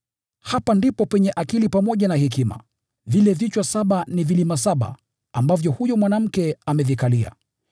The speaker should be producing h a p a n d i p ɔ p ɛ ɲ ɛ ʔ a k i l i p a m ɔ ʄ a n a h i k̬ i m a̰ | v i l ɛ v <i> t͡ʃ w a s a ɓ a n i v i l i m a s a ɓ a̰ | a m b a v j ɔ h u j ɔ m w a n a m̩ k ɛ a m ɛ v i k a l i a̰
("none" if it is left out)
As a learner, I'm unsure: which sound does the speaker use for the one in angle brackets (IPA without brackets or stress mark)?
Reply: i